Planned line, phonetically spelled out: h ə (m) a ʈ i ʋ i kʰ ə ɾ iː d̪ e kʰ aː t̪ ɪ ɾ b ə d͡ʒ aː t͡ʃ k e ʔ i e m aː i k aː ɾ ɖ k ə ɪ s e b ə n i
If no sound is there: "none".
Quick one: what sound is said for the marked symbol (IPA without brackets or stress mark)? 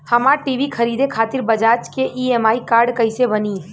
m